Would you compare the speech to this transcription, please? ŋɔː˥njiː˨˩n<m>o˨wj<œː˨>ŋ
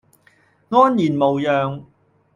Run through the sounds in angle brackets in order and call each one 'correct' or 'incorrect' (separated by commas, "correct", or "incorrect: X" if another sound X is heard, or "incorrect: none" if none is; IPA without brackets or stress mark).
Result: correct, correct